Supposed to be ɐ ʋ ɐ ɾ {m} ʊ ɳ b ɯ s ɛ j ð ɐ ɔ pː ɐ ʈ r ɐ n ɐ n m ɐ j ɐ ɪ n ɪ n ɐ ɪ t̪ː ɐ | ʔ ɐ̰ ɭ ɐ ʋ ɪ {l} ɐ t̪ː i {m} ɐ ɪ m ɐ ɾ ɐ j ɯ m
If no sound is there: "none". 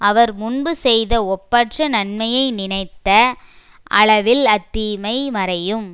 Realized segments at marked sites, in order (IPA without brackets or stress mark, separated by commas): m, l, m